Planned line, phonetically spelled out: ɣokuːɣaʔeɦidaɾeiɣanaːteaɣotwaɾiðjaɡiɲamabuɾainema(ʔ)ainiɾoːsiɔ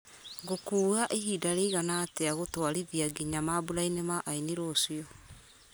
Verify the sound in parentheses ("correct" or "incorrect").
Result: correct